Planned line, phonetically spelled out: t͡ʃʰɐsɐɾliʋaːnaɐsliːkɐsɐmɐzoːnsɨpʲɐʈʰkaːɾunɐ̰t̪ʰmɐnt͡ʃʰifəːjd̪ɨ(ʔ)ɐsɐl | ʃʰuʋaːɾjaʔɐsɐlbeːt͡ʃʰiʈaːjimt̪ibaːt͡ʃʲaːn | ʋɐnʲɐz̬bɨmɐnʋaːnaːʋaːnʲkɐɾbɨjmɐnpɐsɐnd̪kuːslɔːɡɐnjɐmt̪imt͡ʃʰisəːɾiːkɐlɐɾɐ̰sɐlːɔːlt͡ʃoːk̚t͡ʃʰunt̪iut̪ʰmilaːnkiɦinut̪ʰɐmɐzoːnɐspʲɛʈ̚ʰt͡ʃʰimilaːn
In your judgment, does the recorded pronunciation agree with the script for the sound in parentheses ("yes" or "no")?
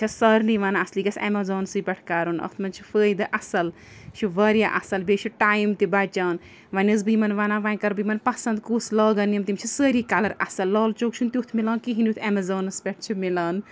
yes